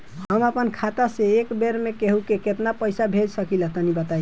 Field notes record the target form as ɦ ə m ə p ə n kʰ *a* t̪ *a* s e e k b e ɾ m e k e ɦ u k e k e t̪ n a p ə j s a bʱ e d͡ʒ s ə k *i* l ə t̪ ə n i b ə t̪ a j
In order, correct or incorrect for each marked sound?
correct, correct, correct

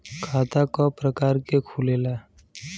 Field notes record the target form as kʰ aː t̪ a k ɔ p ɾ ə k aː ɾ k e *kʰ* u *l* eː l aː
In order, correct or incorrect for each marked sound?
correct, correct

